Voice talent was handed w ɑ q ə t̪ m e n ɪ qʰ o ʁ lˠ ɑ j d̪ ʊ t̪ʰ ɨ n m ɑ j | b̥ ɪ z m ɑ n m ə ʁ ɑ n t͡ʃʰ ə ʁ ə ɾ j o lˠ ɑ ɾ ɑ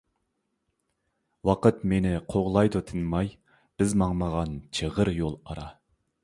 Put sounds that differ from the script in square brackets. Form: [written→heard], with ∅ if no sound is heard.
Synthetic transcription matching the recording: w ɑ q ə t̪ m e n ɪ qʰ o ʁ lˠ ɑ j d̪ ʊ t̪ʰ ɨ n m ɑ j | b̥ ɪ z m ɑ [n→ŋ] m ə ʁ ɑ n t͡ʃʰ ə ʁ ə ɾ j o lˠ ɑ ɾ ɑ